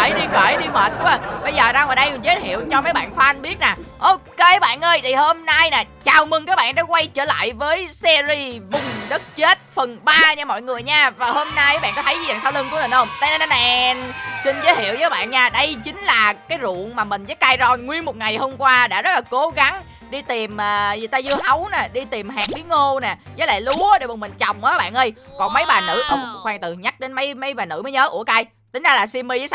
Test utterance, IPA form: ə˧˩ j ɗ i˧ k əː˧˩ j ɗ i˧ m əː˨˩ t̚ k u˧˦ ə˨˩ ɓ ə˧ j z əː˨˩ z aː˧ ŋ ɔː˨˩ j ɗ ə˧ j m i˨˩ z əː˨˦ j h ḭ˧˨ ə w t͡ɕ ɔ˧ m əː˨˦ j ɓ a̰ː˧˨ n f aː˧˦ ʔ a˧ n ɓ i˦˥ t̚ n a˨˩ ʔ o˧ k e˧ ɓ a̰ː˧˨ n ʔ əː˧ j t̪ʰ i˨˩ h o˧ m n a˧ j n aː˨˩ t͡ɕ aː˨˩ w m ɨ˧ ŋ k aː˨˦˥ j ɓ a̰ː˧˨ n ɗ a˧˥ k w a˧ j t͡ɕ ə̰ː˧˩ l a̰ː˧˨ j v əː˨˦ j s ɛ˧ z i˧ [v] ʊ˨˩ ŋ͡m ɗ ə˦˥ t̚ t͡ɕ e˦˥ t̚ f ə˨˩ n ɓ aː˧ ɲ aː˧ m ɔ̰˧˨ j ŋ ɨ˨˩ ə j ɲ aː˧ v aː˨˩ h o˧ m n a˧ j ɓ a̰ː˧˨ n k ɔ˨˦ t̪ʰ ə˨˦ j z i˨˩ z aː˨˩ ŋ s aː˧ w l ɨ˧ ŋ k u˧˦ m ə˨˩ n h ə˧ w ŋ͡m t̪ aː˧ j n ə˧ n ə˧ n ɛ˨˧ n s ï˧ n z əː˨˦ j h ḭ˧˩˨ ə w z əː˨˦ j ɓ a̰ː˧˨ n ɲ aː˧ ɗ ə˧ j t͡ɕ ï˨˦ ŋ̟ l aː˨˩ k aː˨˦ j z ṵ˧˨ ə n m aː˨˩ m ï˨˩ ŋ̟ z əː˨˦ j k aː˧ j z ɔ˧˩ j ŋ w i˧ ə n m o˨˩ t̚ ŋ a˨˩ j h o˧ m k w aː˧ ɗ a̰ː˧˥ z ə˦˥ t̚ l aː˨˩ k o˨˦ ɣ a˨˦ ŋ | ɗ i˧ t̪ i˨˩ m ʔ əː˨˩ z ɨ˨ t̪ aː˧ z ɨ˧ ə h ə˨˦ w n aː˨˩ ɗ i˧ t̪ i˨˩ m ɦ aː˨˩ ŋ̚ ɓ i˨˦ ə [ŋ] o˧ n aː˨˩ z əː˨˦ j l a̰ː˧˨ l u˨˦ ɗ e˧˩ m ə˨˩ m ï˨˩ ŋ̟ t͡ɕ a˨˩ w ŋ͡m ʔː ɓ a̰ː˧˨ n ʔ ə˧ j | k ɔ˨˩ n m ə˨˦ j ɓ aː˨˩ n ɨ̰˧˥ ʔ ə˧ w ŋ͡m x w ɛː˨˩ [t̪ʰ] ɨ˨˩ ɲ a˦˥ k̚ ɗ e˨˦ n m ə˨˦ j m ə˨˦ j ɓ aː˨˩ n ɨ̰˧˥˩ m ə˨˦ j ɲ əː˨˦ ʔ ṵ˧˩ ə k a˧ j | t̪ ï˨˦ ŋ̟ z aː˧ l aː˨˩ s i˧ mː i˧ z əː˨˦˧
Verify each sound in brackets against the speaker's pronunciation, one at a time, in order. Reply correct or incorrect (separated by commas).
correct, correct, incorrect